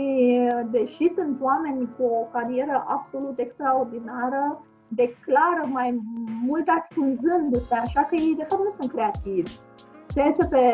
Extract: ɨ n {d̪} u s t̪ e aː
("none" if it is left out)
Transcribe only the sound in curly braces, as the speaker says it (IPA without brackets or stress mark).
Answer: d̪